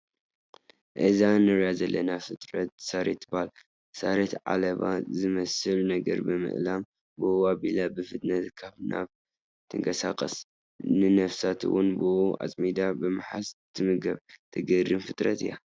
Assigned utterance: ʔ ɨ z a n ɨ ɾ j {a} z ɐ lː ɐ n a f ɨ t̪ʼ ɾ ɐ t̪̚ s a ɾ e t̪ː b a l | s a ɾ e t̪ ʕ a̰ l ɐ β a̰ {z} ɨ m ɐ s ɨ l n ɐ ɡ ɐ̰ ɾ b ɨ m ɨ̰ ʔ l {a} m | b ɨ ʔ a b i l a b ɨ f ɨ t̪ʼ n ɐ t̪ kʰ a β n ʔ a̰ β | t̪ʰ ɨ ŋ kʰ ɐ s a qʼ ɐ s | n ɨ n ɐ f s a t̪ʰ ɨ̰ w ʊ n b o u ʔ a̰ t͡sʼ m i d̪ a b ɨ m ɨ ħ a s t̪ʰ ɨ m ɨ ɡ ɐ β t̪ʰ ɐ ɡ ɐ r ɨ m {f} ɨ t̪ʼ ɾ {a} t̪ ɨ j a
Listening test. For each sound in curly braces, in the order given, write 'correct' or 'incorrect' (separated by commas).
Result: correct, correct, correct, correct, incorrect